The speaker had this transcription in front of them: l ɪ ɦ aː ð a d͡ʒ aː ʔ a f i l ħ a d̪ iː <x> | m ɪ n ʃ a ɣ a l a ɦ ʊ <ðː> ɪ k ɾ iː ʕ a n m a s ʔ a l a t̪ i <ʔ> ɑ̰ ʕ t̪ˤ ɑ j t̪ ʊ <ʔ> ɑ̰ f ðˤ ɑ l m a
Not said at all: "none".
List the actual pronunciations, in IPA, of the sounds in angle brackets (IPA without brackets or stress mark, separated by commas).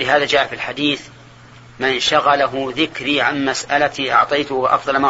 θ, ð, ʔ, ʔ